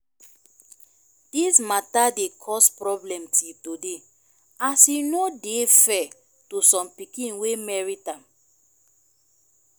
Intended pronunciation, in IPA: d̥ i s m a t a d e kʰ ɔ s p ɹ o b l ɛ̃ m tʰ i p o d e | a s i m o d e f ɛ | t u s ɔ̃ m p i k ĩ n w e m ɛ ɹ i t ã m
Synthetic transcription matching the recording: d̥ i s m a t a d e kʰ ɔ s p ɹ ɔ b l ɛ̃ m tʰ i t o d e | a s i n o d e f ɛ | t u s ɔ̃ m p i k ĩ n w e m ɛ ɹ i t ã m